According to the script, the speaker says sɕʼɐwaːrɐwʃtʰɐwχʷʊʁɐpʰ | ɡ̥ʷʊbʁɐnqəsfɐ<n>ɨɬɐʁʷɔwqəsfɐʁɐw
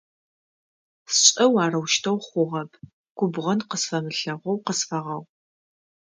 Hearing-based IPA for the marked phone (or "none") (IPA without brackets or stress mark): m